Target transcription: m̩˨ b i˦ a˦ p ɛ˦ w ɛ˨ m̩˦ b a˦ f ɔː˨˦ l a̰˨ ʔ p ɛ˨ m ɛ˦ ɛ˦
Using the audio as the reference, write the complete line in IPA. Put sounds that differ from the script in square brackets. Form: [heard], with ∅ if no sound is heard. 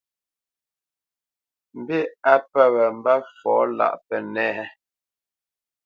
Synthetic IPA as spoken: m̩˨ b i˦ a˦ p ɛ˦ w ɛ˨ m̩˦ b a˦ f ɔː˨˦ l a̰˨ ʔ p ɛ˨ [n] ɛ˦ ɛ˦